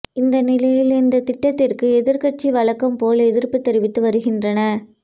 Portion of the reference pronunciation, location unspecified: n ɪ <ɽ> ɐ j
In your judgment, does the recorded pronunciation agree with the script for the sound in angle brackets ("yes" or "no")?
no